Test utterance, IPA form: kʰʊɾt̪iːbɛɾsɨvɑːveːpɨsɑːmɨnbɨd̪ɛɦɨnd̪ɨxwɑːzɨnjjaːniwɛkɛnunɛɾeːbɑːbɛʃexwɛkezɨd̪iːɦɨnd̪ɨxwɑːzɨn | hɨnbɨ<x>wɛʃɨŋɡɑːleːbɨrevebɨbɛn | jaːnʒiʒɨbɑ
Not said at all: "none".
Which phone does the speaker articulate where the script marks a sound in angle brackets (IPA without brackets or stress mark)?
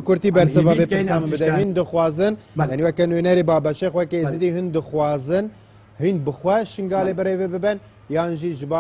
x